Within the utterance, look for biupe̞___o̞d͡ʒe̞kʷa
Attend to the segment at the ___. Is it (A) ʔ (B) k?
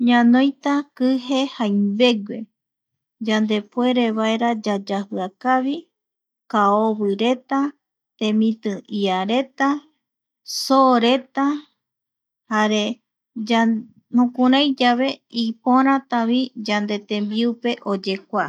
A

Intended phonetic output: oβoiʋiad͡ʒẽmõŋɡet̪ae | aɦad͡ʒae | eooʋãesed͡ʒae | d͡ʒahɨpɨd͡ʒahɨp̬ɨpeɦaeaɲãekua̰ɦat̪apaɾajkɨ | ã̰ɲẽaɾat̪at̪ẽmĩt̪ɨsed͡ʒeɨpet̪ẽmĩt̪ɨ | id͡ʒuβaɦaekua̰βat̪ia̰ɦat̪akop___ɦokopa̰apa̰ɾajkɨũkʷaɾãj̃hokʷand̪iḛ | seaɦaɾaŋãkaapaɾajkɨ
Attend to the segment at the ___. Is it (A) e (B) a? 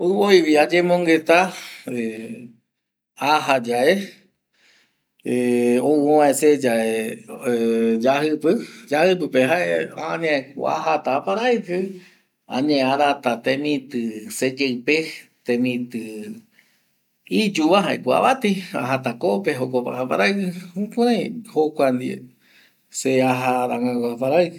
A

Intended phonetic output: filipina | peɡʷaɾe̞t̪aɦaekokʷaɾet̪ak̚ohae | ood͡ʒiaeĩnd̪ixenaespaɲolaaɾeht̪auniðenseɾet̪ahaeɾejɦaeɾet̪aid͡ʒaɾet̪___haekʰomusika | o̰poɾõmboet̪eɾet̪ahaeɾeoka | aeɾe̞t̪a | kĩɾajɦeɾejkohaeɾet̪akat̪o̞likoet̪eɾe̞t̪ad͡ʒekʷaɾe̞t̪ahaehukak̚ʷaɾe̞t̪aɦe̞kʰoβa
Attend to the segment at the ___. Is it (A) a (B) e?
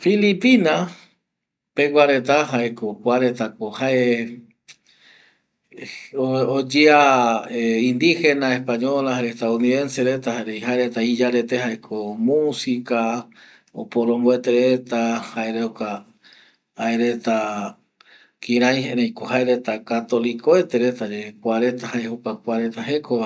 B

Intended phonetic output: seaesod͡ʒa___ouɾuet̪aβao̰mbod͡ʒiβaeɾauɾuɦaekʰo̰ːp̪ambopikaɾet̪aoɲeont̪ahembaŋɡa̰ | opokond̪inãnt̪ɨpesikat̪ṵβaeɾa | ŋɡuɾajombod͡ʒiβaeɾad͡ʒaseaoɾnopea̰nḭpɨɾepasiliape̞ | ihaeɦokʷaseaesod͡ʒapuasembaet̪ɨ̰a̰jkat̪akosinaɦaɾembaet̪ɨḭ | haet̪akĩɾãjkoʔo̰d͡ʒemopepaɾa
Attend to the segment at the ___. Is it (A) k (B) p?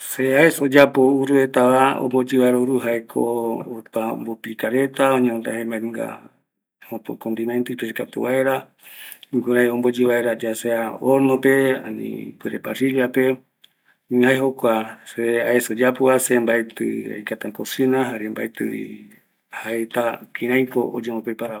B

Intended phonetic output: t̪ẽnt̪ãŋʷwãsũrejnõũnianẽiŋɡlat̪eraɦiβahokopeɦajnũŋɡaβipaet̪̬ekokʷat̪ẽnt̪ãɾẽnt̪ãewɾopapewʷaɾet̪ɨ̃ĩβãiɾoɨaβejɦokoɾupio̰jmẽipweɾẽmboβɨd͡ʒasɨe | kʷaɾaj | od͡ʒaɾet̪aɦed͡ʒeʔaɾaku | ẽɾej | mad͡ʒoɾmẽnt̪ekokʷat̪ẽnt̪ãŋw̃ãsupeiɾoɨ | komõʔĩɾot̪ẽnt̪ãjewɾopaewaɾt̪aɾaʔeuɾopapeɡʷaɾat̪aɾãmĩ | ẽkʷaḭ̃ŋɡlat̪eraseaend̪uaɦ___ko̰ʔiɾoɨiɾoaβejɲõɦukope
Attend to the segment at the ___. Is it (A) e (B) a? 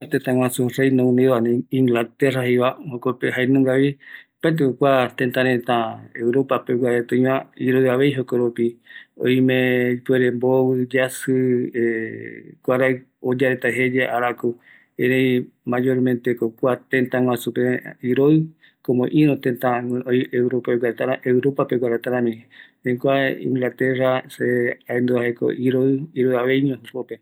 A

